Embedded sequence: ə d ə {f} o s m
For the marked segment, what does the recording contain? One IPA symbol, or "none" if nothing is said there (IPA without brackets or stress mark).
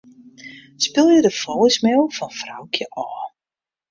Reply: f